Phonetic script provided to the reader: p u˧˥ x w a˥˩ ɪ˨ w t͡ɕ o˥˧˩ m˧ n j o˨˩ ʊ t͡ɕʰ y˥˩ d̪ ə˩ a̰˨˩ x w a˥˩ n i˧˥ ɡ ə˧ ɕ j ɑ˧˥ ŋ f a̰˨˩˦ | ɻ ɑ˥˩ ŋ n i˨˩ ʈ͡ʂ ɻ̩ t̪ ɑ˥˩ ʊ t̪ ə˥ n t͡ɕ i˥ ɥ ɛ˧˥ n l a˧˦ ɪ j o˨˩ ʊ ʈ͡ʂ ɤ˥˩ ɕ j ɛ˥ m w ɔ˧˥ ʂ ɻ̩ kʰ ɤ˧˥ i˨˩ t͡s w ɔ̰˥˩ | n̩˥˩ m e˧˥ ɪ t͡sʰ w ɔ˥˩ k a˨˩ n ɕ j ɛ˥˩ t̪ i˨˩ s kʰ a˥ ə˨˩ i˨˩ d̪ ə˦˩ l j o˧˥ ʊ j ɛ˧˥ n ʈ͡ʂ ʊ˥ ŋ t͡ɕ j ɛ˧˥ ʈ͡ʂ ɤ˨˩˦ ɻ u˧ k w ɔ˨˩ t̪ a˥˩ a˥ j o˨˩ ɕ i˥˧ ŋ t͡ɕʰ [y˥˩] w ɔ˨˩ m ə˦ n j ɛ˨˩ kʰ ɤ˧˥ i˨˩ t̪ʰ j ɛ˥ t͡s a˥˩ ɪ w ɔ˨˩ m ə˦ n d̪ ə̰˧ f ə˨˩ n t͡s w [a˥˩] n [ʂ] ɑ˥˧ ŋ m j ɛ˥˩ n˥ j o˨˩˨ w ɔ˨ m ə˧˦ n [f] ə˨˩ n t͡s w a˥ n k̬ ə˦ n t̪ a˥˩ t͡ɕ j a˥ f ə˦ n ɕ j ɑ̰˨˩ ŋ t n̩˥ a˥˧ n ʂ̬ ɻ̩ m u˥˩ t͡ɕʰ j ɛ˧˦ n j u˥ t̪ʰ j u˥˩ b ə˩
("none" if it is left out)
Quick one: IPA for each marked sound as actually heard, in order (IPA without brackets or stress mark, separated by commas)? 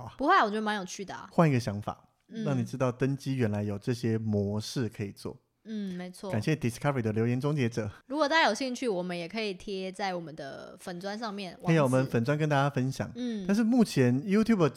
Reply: y˥˩, a˥˦, ʂ, f